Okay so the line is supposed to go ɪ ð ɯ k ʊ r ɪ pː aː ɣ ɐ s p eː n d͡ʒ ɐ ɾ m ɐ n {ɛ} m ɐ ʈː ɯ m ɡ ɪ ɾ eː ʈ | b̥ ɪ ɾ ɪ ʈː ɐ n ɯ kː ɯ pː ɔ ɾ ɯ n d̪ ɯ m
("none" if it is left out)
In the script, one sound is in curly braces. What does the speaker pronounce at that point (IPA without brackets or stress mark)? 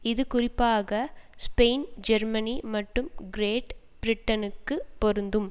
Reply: i